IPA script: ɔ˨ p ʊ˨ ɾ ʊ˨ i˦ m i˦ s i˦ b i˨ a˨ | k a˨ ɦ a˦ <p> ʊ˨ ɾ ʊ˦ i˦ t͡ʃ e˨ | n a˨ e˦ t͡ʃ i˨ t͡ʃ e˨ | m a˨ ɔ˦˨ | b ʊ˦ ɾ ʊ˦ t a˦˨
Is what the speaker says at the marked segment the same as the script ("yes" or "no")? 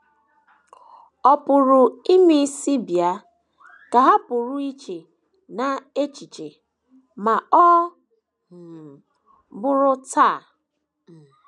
yes